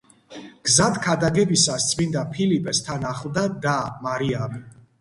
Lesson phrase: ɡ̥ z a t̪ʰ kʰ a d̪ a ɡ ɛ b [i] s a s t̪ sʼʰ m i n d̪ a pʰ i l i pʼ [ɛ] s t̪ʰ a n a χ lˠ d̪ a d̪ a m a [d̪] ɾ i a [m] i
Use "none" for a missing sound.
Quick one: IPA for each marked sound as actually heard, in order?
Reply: i, ɛ, none, m

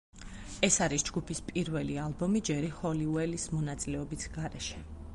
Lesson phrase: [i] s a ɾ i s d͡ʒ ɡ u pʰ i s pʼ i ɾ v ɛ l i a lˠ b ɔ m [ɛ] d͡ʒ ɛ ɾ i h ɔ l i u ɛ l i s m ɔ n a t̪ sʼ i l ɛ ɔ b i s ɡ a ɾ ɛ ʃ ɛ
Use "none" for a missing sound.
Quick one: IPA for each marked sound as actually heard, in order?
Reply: ɛ, i

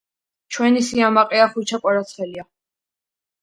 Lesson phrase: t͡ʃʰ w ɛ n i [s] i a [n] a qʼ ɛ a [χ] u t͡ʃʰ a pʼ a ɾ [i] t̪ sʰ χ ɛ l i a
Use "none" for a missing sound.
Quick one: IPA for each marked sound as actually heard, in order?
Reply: s, m, χ, a

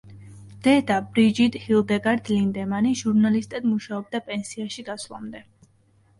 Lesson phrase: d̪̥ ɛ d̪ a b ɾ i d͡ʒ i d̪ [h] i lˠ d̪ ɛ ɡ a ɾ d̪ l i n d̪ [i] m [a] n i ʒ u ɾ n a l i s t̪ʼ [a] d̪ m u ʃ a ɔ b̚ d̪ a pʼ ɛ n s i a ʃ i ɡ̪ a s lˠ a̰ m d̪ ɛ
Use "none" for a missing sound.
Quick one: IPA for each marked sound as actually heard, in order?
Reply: h, ɛ, a, ɛ

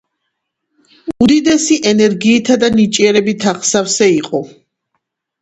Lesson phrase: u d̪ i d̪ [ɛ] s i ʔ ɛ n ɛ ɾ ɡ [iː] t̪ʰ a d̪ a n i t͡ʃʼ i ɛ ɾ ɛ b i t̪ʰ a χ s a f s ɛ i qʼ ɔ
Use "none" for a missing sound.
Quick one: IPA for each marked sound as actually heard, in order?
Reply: ɛ, iː

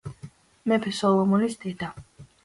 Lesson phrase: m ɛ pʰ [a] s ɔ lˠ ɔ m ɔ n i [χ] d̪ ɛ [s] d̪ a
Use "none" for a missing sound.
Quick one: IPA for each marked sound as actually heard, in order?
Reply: ɛ, s, none

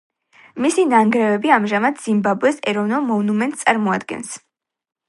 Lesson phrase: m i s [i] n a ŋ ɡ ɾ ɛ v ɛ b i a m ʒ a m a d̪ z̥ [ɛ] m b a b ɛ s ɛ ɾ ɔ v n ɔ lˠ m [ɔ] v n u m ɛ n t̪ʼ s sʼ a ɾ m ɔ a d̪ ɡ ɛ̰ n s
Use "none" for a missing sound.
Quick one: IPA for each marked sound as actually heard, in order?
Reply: i, i, ɔ

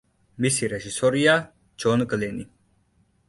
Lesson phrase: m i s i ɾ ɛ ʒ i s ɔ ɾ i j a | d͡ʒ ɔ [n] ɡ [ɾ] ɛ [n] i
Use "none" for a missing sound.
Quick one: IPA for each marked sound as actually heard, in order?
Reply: n, l, n

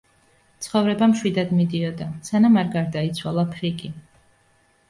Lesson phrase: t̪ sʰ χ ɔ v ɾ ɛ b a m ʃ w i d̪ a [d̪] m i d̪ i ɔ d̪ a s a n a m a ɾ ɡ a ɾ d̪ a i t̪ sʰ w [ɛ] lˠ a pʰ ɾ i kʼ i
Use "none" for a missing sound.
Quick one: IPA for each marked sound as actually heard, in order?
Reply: d̪, a

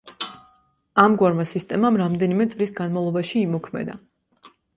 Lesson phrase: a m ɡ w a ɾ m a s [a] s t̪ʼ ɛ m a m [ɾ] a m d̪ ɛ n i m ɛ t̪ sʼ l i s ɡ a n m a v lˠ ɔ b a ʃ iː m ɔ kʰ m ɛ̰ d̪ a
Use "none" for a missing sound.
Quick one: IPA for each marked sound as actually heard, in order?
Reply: i, ɾ

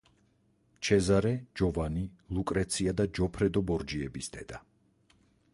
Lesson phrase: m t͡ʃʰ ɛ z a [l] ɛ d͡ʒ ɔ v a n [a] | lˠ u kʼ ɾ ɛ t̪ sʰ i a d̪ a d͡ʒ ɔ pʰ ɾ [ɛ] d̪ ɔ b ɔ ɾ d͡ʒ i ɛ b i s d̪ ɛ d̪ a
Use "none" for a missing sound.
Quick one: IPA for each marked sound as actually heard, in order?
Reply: ɾ, i, ɛ

